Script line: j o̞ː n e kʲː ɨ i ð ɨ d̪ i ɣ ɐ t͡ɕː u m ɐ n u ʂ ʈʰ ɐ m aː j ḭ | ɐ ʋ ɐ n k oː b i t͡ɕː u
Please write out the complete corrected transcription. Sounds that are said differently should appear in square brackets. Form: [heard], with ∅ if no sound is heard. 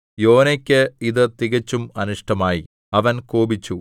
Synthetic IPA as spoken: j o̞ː n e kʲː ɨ i ð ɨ [t̪] i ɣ ɐ t͡ɕː u m ɐ n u ʂ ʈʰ ɐ m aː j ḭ | ɐ ʋ ɐ n k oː b i t͡ɕː u